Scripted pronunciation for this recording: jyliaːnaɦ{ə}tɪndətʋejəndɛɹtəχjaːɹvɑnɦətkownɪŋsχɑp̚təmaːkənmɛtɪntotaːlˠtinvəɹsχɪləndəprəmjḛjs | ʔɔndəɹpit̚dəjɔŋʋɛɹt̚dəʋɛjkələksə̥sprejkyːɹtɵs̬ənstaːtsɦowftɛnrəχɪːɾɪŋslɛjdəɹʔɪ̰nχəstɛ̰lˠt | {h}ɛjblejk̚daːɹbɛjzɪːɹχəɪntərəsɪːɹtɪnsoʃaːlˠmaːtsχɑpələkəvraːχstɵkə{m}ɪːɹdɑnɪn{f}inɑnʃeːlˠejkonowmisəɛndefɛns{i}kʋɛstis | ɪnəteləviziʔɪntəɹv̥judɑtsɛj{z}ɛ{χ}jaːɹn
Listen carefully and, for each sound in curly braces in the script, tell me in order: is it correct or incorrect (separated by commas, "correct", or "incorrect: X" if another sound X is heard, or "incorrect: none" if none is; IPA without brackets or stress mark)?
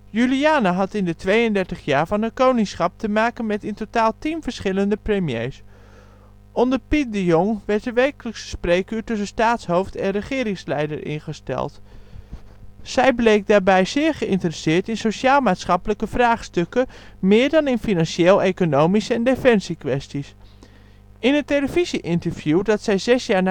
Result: incorrect: ɑ, incorrect: s, correct, correct, correct, correct, incorrect: s